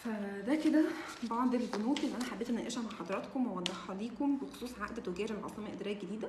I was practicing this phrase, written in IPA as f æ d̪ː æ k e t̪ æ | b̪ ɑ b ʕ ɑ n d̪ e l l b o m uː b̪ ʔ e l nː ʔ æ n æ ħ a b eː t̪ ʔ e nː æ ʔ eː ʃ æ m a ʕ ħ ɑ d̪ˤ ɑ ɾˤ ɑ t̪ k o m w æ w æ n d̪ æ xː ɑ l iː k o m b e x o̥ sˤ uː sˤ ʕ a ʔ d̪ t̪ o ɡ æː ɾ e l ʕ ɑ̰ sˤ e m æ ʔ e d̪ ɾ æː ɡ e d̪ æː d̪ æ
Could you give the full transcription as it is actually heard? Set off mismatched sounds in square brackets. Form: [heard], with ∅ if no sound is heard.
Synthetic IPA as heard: f æ [d̪] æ k e [d̪] æ | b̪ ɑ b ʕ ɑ n d̪ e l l b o [n] uː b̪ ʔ e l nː ʔ æ n æ ħ a b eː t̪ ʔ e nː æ ʔ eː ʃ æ m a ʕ ħ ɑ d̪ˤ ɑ ɾˤ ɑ t̪ k o m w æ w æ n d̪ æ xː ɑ l iː k o m b e x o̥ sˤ uː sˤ ʕ a ʔ d̪ t̪ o ɡ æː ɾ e l ʕ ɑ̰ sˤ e m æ ʔ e d̪ ɾ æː ɡ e d̪ [iː] d̪ æ